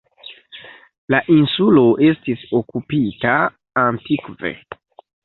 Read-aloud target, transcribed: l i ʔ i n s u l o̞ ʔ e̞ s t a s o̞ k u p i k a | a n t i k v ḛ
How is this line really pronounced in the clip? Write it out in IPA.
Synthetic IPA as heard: l a ʔ i n s u l o̞ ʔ e̞ s t i s o̞ k u p i t a | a n t i k v ḛ